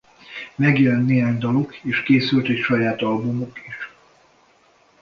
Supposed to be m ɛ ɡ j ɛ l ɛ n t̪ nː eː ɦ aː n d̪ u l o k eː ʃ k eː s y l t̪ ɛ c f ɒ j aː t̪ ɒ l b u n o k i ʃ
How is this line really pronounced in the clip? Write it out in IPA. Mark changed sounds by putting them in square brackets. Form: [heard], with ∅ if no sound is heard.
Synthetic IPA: m ɛ ɡ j ɛ l ɛ n t̪ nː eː ɦ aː [ɲ] d̪ [ɒ] l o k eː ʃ k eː s y l t̪ ɛ c [ʃ] ɒ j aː t̪ ɒ l b u [m] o k i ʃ